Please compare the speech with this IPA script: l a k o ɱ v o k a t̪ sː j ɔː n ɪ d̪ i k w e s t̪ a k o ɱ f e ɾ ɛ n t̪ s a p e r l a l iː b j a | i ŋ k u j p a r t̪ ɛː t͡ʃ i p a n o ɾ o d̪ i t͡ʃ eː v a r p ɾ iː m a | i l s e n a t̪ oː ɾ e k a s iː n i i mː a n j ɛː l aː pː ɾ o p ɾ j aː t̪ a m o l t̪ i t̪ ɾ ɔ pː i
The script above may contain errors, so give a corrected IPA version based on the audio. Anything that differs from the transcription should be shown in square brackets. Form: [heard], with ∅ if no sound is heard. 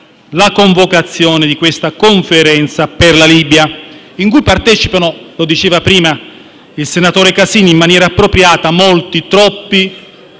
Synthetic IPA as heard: l a k o ɱ v o k a t̪ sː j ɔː n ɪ d̪ i k w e s t̪ a k o ɱ f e ɾ ɛ n t̪ s a p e r l a l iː b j a | i ŋ k u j p a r t̪ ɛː t͡ʃ i p a n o [l] o d̪ i t͡ʃ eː v a [∅] p ɾ iː m a | i l s e n a t̪ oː ɾ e k a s iː n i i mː a n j ɛː [ɾ] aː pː ɾ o p ɾ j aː t̪ a m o l t̪ i t̪ ɾ ɔ pː i